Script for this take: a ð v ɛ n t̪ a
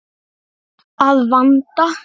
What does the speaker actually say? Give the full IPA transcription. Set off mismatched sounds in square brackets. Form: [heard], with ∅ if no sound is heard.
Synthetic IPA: a ð v [a] n t̪ a

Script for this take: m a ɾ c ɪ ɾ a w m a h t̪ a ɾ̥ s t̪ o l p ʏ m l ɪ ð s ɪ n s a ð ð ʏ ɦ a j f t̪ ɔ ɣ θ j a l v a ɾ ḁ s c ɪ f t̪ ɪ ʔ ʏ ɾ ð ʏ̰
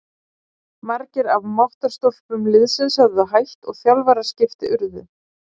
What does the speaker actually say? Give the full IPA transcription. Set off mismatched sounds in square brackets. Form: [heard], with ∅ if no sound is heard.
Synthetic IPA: m a ɾ c ɪ ɾ a [v] m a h t̪ a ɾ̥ s t̪ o l p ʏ m l ɪ ð s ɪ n s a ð ð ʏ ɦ a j [h] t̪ ɔ ɣ θ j a l v a ɾ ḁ s c ɪ f t̪ ɪ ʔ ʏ ɾ ð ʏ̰

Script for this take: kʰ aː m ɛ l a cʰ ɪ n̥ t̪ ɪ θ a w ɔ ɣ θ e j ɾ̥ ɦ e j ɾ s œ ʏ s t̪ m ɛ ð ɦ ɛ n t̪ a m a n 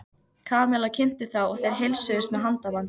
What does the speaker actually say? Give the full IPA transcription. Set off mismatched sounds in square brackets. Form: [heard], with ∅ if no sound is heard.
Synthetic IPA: kʰ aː m ɛ l a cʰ ɪ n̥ t̪ ɪ θ a w ɔ ɣ θ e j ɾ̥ ɦ e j [l] s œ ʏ s t̪ m ɛ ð ɦ [a] n t̪ a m a n

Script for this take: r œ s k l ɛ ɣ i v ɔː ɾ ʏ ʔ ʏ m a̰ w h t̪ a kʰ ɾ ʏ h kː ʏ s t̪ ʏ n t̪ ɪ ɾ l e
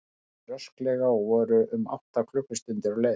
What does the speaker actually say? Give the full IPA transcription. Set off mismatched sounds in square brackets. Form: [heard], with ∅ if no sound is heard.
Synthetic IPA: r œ s k l ɛ ɣ [a] v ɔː ɾ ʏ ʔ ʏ m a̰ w h t̪ a kʰ [l] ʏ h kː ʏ s t̪ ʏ n t̪ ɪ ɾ l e

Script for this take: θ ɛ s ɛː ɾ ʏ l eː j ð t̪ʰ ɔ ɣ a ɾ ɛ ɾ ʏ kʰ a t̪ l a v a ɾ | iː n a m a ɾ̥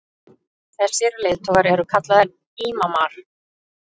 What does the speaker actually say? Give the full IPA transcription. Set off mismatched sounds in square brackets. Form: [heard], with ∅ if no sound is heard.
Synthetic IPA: θ ɛ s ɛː ɾ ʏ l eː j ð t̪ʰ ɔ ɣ a ɾ ɛ ɾ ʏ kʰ a t̪ l a [ð] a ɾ | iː [m] a m a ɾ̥

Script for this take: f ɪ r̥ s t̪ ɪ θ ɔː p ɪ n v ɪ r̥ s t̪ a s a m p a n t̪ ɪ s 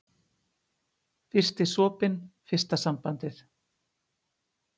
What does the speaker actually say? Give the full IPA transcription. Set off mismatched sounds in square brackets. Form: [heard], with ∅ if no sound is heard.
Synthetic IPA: f ɪ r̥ s t̪ ɪ [s] ɔː p ɪ n [f] ɪ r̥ s t̪ a s a m p a n t̪ ɪ [θ]

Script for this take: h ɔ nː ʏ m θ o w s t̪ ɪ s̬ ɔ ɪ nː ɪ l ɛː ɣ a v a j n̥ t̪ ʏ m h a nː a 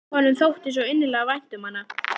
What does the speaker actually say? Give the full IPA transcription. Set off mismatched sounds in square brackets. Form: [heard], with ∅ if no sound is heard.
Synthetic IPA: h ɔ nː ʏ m θ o w [h] t̪ ɪ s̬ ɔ ɪ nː ɪ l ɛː ɣ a v a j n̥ t̪ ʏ m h a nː a

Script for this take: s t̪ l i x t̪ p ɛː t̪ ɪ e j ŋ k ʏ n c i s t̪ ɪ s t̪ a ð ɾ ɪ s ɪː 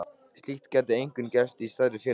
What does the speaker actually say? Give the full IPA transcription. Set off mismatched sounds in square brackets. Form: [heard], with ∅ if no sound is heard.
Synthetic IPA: s t̪ l i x t̪ [c] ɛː t̪ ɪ e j ŋ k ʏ n c [ɛ] s t̪ [i] s t̪ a ð ɾ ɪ [f] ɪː

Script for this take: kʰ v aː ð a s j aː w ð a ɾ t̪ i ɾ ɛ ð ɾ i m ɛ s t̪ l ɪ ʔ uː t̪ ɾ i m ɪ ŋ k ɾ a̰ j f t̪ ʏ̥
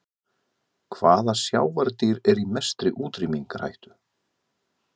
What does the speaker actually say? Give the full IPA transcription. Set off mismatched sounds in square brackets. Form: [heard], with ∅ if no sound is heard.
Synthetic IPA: kʰ v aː ð a s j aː w [v] a ɾ t̪ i ɾ ɛ [∅] ɾ i m ɛ s t̪ [ɾ] ɪ ʔ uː t̪ ɾ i m [i] ŋ k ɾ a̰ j [h] t̪ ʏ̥

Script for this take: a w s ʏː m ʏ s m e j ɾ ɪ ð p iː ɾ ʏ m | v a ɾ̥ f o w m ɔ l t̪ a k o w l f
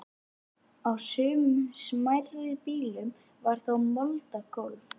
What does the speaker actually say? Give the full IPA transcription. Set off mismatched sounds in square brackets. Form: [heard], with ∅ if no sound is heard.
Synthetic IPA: a w s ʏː m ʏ s m [a] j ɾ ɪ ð p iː [l] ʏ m | v a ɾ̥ [θ] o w m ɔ l t̪ a k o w l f

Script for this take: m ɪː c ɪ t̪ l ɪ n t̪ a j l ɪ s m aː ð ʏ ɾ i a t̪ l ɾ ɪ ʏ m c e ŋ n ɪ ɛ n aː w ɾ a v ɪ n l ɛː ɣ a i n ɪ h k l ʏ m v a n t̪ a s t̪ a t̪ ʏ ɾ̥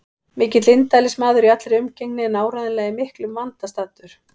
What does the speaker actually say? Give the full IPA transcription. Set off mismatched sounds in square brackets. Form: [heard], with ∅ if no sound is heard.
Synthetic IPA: m ɪː c ɪ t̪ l ɪ n t̪ a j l ɪ s m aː ð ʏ ɾ i a t̪ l ɾ ɪ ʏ m c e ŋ n ɪ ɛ n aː w ɾ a [ð] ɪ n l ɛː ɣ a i [m] ɪ h k l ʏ m v a n t̪ a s t̪ a t̪ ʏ ɾ̥

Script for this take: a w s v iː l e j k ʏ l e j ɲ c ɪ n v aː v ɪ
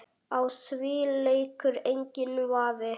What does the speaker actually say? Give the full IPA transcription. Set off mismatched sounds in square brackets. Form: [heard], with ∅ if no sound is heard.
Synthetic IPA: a w s v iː l e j k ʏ [ɾ] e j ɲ c ɪ n v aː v ɪ

